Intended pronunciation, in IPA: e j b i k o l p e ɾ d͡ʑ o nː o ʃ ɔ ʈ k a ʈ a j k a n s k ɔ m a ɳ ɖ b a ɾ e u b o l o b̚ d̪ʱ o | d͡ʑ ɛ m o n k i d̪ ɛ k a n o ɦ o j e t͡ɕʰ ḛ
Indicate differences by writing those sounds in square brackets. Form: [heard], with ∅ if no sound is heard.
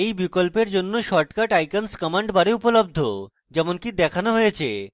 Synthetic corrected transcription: e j b i k o l p e ɾ d͡ʑ o nː o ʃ ɔ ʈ k a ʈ a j k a n s k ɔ m a ɳ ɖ b a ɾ e u [p] o l o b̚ d̪ʱ o | d͡ʑ ɛ m o n k i d̪ ɛ [kʰ] a n o ɦ o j e t͡ɕʰ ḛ